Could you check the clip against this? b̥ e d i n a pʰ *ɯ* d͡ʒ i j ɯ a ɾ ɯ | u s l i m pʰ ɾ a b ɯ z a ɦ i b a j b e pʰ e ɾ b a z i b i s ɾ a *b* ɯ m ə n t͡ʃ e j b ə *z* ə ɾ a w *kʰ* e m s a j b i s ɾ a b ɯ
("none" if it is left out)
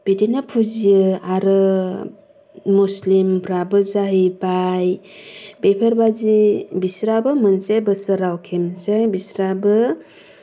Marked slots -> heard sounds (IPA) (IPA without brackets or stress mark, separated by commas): u, b, s, kʰ